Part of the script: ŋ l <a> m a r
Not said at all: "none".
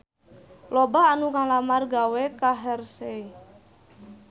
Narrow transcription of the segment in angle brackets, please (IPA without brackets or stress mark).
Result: a